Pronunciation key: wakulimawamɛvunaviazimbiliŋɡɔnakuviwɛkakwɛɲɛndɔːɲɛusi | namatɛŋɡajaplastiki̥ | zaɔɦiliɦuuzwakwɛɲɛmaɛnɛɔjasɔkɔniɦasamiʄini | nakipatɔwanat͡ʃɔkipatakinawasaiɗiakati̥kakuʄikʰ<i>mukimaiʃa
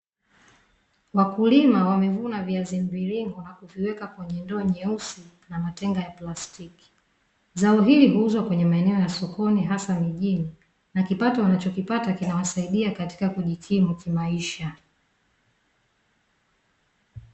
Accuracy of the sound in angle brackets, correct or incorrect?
correct